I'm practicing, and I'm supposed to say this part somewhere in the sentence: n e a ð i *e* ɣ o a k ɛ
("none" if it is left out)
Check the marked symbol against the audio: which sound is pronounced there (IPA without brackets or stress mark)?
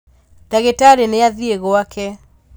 e